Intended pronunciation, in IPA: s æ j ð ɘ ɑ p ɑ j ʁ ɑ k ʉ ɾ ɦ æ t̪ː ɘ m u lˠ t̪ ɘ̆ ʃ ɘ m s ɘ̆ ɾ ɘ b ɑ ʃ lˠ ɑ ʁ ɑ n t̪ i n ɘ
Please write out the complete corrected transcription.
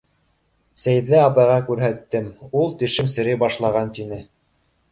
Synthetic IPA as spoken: s æ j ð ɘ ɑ p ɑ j ʁ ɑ k ʉ ɾ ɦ æ t̪ː ɘ m u lˠ t̪ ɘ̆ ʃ ɘ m s ɘ̆ ɾ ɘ b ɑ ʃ lˠ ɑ ʁ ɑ n t̪ i n ɘ